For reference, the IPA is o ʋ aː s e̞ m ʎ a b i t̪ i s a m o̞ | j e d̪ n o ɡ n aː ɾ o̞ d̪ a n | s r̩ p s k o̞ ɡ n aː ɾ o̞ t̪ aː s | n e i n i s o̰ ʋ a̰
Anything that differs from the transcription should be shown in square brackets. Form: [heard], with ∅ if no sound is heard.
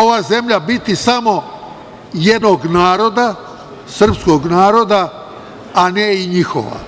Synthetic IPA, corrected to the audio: o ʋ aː [z] e̞ m ʎ a b i t̪ i s a m o̞ | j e d̪ n o ɡ n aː ɾ o̞ d̪ a [∅] | s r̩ p s k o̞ ɡ n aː ɾ o̞ [d̪] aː [∅] | n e i [ɲ] i [x] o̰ ʋ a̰